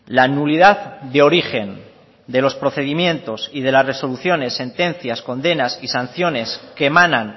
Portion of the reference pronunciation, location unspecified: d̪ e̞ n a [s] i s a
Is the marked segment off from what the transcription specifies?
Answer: no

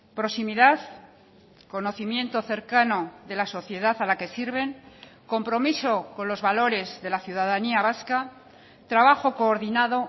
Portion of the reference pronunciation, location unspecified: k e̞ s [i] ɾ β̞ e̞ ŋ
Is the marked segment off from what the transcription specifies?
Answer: no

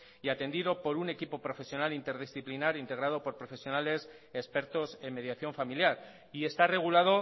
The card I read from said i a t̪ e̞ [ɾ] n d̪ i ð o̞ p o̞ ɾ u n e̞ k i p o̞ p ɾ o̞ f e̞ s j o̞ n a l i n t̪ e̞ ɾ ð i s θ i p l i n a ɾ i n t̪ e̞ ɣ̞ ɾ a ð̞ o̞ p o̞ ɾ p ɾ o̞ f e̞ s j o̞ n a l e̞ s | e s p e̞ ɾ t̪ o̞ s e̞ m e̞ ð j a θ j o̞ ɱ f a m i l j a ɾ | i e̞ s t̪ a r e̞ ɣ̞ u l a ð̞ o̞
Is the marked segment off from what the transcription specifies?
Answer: yes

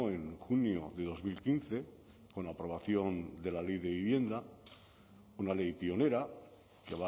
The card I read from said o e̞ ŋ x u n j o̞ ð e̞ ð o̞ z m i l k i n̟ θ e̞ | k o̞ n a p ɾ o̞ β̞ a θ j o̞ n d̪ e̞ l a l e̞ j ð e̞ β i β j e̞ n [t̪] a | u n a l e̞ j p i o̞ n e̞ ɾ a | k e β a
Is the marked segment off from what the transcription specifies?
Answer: yes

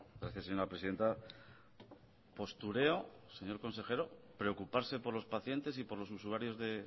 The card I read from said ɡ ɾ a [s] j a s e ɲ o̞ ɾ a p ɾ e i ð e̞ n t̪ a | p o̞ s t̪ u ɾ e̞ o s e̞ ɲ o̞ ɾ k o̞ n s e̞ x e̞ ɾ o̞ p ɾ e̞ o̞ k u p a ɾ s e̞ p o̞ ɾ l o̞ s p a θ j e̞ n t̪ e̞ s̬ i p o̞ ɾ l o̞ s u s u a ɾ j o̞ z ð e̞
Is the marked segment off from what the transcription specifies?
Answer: yes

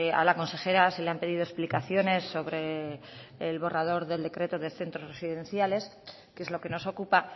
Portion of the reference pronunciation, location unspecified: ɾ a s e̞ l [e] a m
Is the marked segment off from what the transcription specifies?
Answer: no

